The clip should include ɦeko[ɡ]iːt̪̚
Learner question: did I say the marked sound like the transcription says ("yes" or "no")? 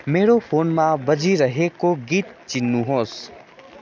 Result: yes